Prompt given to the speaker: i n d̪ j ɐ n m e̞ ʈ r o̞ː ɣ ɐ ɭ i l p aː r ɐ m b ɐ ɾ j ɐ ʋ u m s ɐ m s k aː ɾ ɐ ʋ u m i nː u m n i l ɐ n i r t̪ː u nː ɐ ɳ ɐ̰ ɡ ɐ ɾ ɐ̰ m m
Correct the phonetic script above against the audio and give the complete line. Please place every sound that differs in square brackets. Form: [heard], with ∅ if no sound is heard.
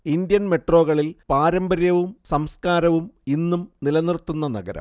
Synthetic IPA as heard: i n d̪ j ɐ n m e̞ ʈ r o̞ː ɣ ɐ ɭ i l p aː [ɾ] ɐ m b ɐ ɾ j ɐ ʋ u m s ɐ m s k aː ɾ ɐ ʋ u m i nː u m n i l ɐ n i r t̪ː u nː ɐ [n] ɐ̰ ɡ ɐ ɾ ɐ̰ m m